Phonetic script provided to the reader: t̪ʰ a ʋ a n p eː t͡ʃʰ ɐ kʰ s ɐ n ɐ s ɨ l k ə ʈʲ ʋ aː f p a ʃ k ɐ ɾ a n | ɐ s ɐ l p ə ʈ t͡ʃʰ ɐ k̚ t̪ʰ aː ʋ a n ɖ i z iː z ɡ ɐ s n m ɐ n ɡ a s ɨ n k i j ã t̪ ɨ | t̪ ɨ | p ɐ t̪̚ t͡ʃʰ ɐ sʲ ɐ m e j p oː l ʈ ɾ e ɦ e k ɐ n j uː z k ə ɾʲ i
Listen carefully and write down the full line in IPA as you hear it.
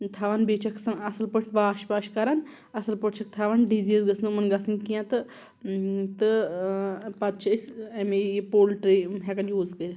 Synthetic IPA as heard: t̪ʰ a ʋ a n b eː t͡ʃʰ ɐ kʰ s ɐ n ɐ s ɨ l p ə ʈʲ ʋ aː ʃ p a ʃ k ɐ ɾ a n | ɐ s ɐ l p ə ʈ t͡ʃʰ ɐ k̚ t̪ʰ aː ʋ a n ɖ i z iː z ɡ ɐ s n m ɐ n ɡ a s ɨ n k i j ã t̪ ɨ | t̪ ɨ | p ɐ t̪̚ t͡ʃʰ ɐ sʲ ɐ m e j p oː l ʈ ɾ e ɦ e k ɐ n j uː z k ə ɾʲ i